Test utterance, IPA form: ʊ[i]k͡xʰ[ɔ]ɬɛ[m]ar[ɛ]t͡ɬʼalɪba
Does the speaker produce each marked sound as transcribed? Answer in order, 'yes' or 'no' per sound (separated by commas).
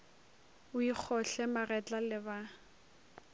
yes, yes, yes, yes